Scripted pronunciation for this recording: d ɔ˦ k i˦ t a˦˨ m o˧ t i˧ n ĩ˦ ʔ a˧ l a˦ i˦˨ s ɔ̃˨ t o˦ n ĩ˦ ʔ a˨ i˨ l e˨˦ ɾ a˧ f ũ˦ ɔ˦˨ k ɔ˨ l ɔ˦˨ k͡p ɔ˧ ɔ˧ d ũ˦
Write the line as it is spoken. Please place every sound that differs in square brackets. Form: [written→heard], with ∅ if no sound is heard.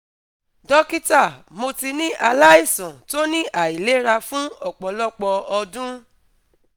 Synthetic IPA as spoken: d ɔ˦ k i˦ t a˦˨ m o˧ t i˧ n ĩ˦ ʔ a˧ l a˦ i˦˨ s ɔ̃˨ t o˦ n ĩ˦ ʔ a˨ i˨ l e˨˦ ɾ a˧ f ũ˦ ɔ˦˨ [k→k͡p] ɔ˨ l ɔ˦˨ k͡p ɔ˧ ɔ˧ d ũ˦

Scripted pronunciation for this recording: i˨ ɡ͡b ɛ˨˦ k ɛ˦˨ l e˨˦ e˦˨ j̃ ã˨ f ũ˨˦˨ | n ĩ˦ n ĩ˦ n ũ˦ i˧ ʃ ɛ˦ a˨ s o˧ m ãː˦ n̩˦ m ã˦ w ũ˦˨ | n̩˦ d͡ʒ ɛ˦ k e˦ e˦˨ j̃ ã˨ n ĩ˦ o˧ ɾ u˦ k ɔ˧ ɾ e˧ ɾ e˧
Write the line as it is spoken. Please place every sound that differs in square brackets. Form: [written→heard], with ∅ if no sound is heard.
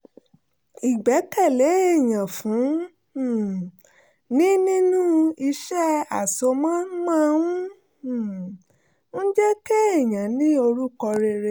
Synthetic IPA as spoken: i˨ ɡ͡b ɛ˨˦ k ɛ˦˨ l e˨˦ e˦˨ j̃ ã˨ f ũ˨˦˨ | n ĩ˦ n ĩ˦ n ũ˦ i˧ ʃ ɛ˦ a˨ s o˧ m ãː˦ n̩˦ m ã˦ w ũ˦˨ | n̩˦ d͡ʒ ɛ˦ k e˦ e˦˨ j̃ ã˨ n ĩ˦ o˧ ɾ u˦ k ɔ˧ ɾ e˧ ɾ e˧

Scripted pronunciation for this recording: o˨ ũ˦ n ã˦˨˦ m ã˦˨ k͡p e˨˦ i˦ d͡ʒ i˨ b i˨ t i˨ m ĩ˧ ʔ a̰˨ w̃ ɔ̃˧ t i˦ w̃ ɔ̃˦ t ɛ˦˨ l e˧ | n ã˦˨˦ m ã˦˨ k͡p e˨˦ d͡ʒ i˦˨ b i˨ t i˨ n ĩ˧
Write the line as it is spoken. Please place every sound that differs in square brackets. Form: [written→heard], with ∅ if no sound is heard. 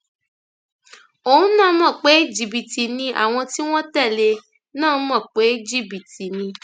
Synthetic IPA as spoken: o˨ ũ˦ n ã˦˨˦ m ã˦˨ k͡p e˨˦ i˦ d͡ʒ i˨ b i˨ t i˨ [m→n] ĩ˧ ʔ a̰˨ w̃ ɔ̃˧ t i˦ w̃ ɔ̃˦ t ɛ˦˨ l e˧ | n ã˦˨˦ m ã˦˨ k͡p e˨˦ d͡ʒ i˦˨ b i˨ t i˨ n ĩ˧

